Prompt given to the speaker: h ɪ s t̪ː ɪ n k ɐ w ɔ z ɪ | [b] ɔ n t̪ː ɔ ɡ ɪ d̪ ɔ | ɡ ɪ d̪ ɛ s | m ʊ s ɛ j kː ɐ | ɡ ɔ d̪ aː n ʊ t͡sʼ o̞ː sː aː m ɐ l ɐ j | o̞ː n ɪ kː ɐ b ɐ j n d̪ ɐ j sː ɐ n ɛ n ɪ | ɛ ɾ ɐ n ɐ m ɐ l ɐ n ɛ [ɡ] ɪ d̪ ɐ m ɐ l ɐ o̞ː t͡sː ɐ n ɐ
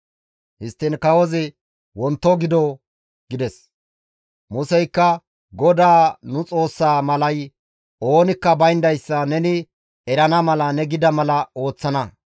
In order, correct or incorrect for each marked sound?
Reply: incorrect, correct

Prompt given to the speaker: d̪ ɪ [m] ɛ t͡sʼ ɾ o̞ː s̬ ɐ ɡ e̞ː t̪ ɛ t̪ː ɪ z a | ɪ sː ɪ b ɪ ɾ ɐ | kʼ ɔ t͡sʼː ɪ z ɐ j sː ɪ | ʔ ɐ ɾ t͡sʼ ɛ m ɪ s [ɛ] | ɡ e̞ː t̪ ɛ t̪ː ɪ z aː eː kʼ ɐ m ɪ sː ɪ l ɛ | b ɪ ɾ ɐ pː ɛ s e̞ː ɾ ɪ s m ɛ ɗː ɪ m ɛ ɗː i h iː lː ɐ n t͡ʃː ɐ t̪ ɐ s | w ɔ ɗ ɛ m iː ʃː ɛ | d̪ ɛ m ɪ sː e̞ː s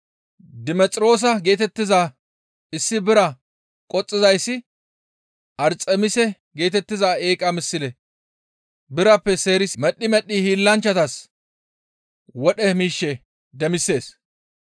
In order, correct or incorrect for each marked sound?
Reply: correct, correct

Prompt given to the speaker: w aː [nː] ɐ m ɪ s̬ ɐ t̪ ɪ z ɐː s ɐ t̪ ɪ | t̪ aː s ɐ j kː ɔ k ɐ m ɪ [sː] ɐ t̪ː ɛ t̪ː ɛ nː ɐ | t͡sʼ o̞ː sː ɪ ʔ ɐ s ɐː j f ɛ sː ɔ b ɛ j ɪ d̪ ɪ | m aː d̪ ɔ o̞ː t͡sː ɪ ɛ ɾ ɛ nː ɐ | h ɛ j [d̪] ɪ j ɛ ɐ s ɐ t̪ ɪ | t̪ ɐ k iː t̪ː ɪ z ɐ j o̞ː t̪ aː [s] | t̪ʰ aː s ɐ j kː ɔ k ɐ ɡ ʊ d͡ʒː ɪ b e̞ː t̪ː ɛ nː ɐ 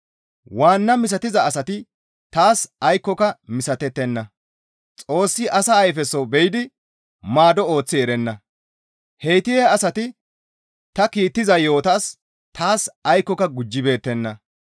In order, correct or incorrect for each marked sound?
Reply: correct, incorrect, incorrect, correct

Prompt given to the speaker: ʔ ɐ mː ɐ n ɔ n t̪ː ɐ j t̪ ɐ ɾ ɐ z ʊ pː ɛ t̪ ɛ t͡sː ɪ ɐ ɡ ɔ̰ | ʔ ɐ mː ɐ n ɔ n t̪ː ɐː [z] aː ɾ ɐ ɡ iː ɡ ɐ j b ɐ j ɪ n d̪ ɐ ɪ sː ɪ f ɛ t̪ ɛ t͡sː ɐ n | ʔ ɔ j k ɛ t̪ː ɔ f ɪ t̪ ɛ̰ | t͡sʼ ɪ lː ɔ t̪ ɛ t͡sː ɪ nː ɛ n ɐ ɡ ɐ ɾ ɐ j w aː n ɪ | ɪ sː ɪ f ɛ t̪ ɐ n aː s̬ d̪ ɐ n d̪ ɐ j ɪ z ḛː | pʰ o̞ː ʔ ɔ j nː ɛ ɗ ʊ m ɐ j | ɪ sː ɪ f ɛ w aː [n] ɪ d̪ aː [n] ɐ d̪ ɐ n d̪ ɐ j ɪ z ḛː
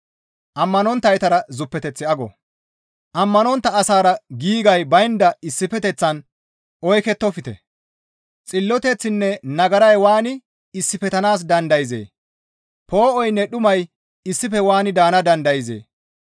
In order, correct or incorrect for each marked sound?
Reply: incorrect, correct, correct

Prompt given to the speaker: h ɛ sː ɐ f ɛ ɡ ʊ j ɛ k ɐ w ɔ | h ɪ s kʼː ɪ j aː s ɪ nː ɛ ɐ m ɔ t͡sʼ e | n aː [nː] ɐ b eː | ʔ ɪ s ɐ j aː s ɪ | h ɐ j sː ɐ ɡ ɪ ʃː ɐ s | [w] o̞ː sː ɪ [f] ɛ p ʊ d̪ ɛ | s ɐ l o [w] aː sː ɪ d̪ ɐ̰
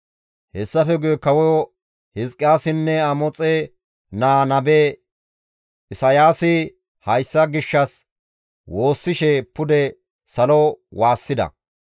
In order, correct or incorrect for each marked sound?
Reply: incorrect, correct, incorrect, correct

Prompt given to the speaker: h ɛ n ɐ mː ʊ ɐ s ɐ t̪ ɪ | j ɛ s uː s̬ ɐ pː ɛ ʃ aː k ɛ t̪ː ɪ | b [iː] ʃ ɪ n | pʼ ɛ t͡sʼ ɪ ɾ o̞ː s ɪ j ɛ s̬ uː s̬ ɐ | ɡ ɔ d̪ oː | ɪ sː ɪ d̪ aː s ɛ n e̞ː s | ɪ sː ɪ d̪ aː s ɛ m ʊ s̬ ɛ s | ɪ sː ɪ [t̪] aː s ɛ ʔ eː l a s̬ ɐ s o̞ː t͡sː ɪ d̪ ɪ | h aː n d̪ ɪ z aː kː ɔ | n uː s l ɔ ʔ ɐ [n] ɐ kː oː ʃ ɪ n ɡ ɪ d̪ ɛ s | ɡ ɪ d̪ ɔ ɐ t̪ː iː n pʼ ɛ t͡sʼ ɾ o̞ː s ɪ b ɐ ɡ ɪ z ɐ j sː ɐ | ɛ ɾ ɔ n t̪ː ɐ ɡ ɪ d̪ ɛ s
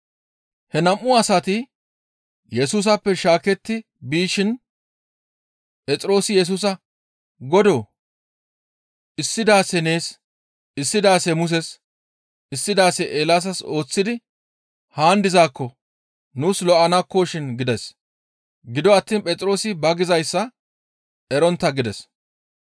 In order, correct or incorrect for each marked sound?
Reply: correct, incorrect, correct

